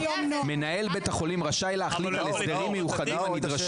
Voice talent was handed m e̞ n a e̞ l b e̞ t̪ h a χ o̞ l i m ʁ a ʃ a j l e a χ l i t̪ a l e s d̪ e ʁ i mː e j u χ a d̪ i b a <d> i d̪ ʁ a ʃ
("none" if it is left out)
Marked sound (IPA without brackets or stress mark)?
n